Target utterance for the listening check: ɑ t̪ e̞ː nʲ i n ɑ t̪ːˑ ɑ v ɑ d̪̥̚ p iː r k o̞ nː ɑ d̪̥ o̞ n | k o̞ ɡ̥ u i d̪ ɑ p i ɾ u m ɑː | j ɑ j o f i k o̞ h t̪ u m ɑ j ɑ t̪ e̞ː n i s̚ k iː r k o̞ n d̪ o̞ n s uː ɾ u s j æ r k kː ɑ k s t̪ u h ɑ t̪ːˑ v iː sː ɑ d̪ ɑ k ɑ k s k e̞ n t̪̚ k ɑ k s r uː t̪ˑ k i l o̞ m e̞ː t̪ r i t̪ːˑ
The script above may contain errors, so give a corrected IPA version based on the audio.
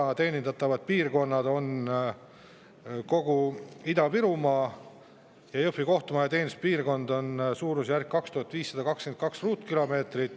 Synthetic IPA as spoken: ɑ t̪ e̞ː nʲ i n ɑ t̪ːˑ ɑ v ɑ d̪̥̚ p iː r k o̞ nː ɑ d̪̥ o̞ n | k o̞ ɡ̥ u i d̪ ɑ p i ɾ u m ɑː | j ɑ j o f i k o̞ h t̪ u m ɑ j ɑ t̪ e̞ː n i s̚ p iː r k o̞ n d̪ o̞ n s uː ɾ u s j æ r k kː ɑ k s t̪ u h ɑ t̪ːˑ v iː sː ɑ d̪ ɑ k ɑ k s k e̞ n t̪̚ k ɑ k s r uː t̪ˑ k i l o̞ m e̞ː t̪ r i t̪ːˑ